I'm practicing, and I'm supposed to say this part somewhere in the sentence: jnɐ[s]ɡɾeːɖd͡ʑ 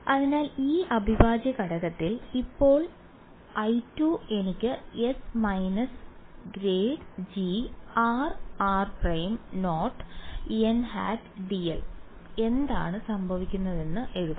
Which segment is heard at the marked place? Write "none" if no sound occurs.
s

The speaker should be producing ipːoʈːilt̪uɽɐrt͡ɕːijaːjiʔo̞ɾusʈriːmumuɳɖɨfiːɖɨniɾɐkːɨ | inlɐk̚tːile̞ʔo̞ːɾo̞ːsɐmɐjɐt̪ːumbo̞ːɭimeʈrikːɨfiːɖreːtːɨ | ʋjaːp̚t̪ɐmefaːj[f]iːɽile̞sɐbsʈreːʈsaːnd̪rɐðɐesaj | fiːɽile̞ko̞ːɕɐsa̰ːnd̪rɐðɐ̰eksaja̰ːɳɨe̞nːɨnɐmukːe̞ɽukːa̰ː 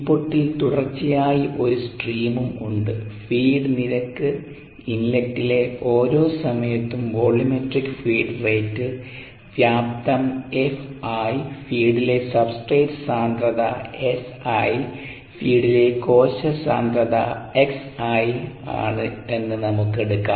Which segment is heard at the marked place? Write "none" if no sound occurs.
f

